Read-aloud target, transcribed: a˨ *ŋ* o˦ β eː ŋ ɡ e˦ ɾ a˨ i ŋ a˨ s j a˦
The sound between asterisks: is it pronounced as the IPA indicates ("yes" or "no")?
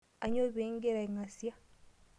no